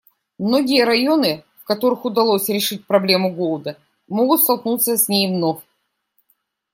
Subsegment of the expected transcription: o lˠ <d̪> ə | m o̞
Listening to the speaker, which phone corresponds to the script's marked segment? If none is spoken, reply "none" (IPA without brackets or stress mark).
d̪